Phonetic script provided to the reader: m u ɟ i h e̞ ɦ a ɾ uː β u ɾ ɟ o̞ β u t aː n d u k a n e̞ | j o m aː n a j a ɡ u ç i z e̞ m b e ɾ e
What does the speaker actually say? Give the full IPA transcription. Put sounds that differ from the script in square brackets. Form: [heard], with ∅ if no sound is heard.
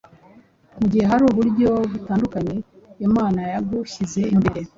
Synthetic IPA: m u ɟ i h e̞ ɦ a ɾ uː β u ɾ ɟ o̞ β u t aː n d u k a [ɲ] e̞ | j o m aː n a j a ɡ u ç i z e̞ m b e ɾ e